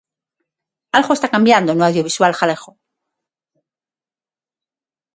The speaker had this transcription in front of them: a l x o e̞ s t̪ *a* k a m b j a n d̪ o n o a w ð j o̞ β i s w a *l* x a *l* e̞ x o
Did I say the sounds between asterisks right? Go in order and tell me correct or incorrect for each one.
correct, correct, correct

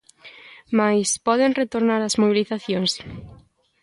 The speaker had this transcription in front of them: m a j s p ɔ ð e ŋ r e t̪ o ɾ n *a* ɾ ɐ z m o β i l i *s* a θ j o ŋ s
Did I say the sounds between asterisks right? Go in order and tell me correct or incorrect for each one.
correct, incorrect: θ

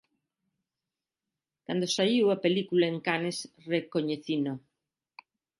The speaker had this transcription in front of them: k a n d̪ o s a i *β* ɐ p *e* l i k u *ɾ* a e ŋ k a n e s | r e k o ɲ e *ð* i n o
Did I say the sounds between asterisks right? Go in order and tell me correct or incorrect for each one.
incorrect: w, correct, incorrect: l, incorrect: θ

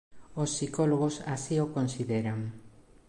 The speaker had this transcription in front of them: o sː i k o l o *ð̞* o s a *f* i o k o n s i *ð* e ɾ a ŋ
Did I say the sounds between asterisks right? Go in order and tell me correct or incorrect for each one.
incorrect: ɣ̞, incorrect: s, correct

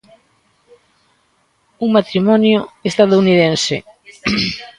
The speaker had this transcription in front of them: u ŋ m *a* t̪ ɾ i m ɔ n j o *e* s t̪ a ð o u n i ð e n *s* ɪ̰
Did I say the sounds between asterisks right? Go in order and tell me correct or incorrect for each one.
correct, correct, correct

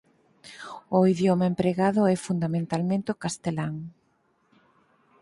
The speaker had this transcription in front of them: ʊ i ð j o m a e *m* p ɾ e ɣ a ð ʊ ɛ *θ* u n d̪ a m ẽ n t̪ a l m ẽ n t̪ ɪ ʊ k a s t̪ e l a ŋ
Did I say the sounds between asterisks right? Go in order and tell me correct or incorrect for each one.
correct, incorrect: f

